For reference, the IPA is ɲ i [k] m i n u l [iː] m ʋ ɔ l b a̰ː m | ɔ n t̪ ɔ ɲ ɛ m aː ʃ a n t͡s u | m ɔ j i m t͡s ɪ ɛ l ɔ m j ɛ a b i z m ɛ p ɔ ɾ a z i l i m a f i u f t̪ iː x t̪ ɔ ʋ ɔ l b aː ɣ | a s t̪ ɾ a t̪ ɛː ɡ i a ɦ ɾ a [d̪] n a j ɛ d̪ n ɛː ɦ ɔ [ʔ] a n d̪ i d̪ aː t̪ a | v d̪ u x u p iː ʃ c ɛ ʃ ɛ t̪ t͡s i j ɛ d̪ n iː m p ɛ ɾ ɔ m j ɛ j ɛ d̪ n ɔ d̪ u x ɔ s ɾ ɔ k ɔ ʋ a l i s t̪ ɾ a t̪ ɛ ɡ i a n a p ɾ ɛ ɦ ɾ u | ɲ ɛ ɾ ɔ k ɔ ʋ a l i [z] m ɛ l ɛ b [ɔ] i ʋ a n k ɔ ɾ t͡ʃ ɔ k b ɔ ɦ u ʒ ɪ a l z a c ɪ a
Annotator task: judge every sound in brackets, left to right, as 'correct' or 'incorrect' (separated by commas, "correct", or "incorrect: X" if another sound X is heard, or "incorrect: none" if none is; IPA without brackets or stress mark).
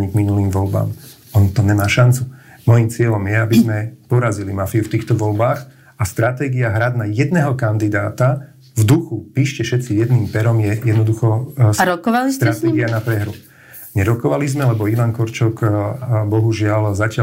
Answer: incorrect: ɡ, correct, correct, incorrect: k, correct, correct